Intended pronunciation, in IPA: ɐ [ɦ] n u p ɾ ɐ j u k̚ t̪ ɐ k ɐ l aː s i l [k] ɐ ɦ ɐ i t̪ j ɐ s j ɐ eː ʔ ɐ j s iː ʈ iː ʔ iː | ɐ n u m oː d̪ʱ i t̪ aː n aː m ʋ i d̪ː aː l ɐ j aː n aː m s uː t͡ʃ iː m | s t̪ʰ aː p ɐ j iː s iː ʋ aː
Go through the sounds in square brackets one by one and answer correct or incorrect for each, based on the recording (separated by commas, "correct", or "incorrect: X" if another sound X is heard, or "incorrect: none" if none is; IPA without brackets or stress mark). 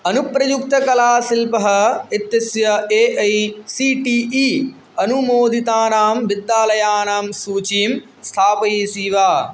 incorrect: none, incorrect: p